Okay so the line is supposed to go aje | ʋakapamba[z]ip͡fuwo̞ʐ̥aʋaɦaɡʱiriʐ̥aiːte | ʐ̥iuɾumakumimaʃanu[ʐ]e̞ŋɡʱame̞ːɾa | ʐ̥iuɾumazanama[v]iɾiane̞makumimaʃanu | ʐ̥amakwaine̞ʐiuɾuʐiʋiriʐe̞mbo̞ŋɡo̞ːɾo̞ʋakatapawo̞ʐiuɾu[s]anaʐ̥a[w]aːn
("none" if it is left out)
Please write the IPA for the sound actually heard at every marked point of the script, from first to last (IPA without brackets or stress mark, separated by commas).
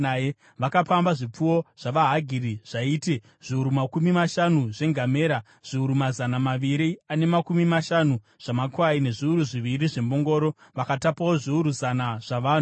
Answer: ʐ, ʐ, ʋ, z, ʋ